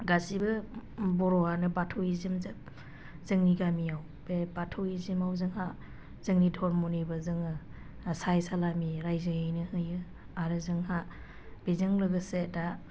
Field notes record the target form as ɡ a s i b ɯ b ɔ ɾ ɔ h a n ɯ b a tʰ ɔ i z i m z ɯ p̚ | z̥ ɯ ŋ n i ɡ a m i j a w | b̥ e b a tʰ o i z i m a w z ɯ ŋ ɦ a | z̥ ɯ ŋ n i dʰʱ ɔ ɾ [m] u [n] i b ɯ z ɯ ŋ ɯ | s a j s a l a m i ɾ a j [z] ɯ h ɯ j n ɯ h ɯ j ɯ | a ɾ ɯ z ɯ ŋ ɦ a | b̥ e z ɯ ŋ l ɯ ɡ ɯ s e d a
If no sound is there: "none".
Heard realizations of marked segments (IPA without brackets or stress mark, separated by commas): m, n, z